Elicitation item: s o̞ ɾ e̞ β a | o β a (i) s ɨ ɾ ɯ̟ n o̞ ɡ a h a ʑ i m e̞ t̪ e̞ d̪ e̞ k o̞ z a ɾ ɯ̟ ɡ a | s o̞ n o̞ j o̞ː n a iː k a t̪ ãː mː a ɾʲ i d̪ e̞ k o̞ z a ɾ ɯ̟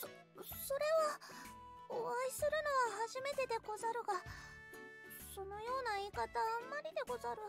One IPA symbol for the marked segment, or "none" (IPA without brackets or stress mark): i